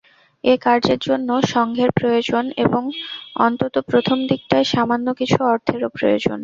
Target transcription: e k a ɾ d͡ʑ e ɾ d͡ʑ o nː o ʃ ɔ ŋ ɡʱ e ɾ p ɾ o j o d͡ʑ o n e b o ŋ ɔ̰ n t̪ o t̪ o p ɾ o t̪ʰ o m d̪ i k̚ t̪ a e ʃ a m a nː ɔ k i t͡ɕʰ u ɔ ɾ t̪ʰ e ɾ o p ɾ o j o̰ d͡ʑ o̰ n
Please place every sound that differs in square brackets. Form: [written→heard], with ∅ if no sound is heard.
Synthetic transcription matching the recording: e k a ɾ d͡ʑ e ɾ d͡ʑ o nː o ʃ ɔ ŋ ɡʱ e ɾ p ɾ o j o d͡ʑ o n e b o ŋ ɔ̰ n t̪ o t̪ o p ɾ o t̪ʰ o m d̪ i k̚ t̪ a e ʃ a m a nː [ɔ→o] k i t͡ɕʰ u ɔ ɾ t̪ʰ e ɾ o p ɾ o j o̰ d͡ʑ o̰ n